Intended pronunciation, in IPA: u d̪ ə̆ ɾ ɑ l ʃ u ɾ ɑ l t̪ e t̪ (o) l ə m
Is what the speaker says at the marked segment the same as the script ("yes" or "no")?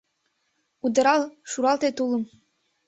no